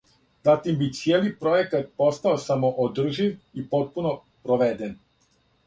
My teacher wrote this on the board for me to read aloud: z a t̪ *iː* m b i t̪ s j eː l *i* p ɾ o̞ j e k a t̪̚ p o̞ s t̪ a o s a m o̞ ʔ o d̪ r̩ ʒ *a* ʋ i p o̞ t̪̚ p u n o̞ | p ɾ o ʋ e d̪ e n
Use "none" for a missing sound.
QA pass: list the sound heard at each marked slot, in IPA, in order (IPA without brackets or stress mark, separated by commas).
i, i, i